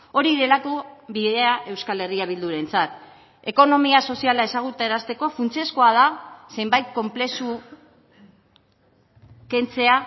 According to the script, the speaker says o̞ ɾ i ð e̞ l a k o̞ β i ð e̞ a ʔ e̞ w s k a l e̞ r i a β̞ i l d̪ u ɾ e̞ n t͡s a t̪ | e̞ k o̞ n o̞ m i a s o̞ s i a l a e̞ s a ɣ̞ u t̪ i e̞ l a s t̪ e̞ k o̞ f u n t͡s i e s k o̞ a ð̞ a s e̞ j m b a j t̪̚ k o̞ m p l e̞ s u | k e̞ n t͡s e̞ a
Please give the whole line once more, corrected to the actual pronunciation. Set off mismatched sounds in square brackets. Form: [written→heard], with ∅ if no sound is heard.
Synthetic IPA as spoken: o̞ ɾ i ð e̞ l a k o̞ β i ð e̞ a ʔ e̞ w s k a l e̞ r i a β̞ i l d̪ u ɾ e̞ n t͡s a t̪ | e̞ k o̞ n o̞ m i a s o̞ s i a l a e̞ s a ɣ̞ u t̪ [i→a] e̞ [l→ɾ] a s t̪ e̞ k o̞ f u n t͡s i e s k o̞ a ð̞ a s e̞ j m b a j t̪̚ k o̞ m p l e̞ s u | k e̞ n t͡s e̞ a

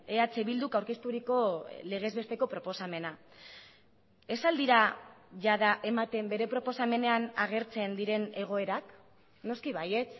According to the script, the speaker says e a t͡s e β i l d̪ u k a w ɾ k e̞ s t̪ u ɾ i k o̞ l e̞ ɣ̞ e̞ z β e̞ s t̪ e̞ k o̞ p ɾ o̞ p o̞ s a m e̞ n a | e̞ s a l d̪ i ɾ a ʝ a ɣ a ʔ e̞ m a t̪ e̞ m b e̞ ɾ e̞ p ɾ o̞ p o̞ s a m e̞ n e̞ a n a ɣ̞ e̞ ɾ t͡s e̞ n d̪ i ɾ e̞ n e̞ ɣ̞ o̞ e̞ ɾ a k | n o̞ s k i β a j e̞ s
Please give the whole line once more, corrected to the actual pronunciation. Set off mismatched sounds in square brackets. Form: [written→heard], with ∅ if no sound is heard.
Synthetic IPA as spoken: e a t͡s e β i l d̪ u k a w ɾ k e̞ s t̪ u ɾ i k o̞ l e̞ ɣ̞ e̞ z β e̞ s t̪ e̞ k o̞ p ɾ o̞ p o̞ s a m e̞ n a | e̞ s a l d̪ i ɾ a ʝ a [ɣ→ð] a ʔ e̞ m a t̪ e̞ m b e̞ ɾ e̞ p ɾ o̞ p o̞ s a m e̞ n e̞ a n a ɣ̞ e̞ ɾ t͡s e̞ n d̪ i ɾ e̞ n e̞ ɣ̞ o̞ e̞ ɾ a k | n o̞ s k i β a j e̞ [s→t͡s]

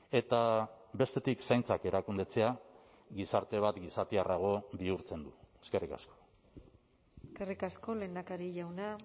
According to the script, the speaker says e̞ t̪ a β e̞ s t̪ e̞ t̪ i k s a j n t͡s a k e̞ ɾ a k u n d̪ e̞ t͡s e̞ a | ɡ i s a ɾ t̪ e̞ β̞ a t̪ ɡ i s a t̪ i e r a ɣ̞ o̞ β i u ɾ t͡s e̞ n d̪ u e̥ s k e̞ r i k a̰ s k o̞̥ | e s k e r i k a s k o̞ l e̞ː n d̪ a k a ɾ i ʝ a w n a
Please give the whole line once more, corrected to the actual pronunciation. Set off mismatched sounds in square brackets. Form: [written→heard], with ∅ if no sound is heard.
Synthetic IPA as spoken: e̞ t̪ a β e̞ s t̪ e̞ t̪ i k s a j n t͡s a k e̞ ɾ a k u n d̪ e̞ t͡s e̞ a | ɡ i s a ɾ t̪ e̞ β̞ a t̪ ɡ i s a t̪ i [e→a] r a ɣ̞ o̞ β i u ɾ t͡s e̞ n d̪ u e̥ s k e̞ r i k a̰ s k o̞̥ | e s k e r i k a s k o̞ l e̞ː n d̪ a k a ɾ i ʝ a w n a

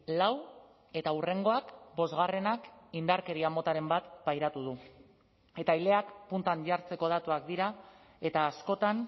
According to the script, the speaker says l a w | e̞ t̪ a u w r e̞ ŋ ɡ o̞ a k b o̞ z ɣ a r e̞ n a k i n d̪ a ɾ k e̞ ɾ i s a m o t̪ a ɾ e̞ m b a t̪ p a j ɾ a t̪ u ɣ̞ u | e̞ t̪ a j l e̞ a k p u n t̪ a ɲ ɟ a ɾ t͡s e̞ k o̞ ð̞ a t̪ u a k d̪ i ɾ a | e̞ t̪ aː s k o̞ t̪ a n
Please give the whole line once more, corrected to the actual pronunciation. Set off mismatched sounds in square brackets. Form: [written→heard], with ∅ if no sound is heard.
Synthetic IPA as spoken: l a w | e̞ t̪ a u [w→∅] r e̞ ŋ ɡ o̞ a k b o̞ z ɣ a r e̞ n a k i n d̪ a ɾ k e̞ ɾ i [s→∅] a m o t̪ a ɾ e̞ m b a t̪ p a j ɾ a t̪ u [ɣ̞→ð̞] u | e̞ t̪ a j l e̞ a k p u n t̪ a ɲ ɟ a ɾ t͡s e̞ k o̞ ð̞ a t̪ u a k d̪ i ɾ a | e̞ t̪ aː s k o̞ t̪ a n

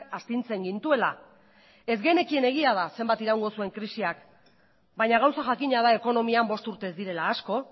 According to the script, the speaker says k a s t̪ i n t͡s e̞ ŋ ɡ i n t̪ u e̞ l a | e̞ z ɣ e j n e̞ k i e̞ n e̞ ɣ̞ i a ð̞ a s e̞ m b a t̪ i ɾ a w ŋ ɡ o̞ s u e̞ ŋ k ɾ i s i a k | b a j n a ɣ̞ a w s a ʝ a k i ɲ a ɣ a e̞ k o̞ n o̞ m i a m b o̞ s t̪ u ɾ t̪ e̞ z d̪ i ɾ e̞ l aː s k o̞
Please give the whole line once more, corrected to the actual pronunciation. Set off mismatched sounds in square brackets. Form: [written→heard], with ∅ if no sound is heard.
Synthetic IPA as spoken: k a s t̪ i n t͡s e̞ ŋ ɡ i n t̪ u e̞ l a | e̞ z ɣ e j n e̞ k i e̞ n e̞ ɣ̞ i a ð̞ a s e̞ m b a t̪ i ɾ a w ŋ ɡ o̞ s u e̞ ŋ k ɾ i s i a k | b a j [n→ɲ] a ɣ̞ a w s a ʝ a k i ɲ a [ɣ→ð] a e̞ k o̞ n o̞ m i a m b o̞ s t̪ u ɾ t̪ e̞ z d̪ i ɾ e̞ l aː s k o̞

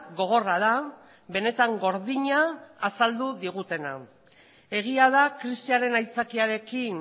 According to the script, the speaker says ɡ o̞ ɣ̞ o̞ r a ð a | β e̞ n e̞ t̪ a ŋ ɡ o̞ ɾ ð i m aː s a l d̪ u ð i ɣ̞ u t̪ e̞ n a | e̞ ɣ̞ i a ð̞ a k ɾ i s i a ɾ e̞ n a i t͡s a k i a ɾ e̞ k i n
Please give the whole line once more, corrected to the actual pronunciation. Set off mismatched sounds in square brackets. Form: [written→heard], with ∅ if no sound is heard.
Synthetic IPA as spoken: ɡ o̞ ɣ̞ o̞ r a ð a | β e̞ n e̞ t̪ a ŋ ɡ o̞ ɾ ð i [m→ɲ] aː s a l d̪ u ð i ɣ̞ u t̪ e̞ n a | e̞ ɣ̞ i a ð̞ a k ɾ i s i a ɾ e̞ n a [i→j] t͡s a k i a ɾ e̞ k i n

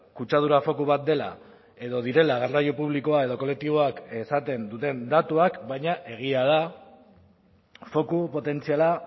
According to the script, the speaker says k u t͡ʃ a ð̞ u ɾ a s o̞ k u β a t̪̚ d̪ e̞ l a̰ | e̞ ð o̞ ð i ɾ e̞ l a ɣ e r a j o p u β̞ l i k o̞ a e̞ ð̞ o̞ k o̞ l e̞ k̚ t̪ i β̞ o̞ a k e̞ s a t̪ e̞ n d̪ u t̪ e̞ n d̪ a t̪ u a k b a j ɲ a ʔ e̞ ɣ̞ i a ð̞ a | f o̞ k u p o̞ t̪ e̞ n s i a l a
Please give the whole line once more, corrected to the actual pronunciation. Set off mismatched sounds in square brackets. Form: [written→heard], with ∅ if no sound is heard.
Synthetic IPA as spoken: k u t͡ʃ a ð̞ u ɾ a [s→f] o̞ k u β a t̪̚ d̪ e̞ l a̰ | e̞ ð o̞ ð i ɾ e̞ l a ɣ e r a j o p u β̞ l i k o̞ a e̞ ð̞ o̞ k o̞ l e̞ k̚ t̪ i β̞ o̞ a k e̞ s a t̪ e̞ n d̪ u t̪ e̞ n d̪ a t̪ u a k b a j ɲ a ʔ e̞ ɣ̞ i a ð̞ a | f o̞ k u p o̞ t̪ e̞ n [s→t͡s] i a l a

